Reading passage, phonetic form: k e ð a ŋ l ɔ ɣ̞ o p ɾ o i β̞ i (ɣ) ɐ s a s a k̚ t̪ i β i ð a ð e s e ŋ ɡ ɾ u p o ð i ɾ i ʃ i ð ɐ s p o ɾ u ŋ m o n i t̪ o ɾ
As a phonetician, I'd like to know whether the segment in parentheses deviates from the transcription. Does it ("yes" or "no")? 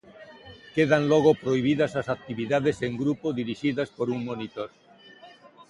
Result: yes